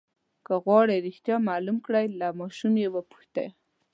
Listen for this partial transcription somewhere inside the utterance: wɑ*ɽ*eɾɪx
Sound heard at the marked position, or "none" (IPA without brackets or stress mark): ɽ